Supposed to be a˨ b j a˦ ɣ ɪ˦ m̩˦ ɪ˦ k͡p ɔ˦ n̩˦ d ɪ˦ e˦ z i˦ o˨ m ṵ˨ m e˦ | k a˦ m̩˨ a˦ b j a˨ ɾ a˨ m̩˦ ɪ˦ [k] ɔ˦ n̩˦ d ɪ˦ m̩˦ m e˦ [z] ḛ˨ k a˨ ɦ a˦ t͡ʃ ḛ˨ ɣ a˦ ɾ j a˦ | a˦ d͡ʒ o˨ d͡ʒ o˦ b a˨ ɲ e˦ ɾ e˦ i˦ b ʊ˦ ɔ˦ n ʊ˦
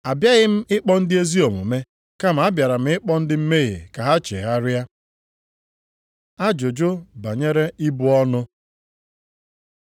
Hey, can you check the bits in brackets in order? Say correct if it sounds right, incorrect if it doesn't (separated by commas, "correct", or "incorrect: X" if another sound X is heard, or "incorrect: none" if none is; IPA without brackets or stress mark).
incorrect: k͡p, incorrect: ɣ